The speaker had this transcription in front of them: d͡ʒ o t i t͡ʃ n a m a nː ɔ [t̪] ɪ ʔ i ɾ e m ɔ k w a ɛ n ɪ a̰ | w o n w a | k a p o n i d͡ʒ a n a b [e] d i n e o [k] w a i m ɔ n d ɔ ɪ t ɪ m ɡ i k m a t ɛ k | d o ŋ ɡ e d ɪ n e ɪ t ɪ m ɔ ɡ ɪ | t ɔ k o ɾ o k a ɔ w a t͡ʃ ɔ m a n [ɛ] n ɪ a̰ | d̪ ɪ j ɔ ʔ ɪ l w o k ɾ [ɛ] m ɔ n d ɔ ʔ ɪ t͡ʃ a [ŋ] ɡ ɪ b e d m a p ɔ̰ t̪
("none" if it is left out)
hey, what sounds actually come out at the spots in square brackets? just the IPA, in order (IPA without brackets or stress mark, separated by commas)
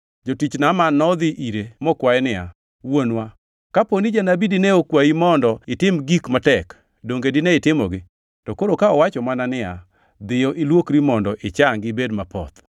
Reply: d̪, i, k, a, i, ŋ